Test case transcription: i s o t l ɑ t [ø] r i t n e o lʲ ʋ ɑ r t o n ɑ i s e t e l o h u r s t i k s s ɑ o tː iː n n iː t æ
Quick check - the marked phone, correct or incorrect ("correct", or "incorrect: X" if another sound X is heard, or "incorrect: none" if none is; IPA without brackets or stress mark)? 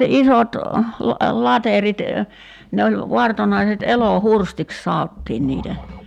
incorrect: e